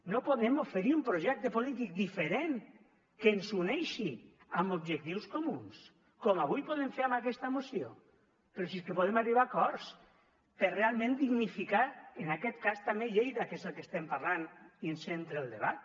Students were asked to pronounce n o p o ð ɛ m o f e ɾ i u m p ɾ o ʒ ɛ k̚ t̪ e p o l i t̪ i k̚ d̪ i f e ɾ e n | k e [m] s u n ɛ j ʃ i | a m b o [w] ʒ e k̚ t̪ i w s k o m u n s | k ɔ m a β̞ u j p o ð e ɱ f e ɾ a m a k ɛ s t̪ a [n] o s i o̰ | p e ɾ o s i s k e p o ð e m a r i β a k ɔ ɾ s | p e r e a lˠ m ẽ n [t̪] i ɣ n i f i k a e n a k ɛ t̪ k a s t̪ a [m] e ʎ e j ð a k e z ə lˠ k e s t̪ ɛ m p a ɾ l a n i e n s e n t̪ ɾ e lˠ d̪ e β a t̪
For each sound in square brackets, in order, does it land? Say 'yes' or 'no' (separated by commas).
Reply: no, no, no, no, yes